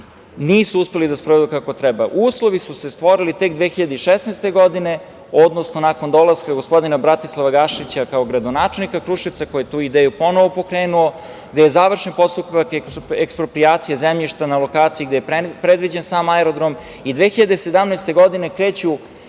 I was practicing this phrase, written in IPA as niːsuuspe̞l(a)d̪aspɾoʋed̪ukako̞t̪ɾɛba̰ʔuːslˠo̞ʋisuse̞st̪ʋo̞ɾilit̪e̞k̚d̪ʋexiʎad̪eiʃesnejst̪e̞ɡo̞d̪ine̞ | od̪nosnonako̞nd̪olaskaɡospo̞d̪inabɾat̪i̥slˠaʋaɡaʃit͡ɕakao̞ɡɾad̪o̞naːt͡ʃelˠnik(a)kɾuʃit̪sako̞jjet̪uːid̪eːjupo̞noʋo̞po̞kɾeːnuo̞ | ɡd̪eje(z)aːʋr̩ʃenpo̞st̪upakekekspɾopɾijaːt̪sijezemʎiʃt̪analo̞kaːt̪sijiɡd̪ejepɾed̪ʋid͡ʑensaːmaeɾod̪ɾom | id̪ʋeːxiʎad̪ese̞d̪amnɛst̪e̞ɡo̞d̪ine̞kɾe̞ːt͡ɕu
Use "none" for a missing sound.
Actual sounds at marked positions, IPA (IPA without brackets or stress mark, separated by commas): i, a, z